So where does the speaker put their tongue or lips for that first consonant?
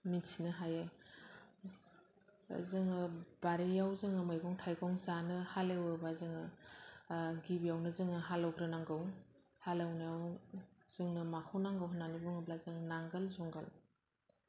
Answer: lips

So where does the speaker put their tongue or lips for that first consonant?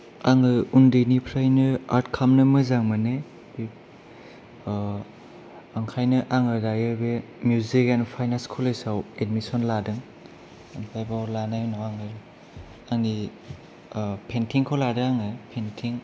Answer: velum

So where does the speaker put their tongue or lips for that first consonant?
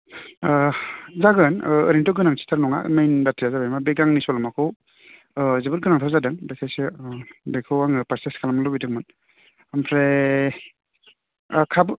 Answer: tongue tip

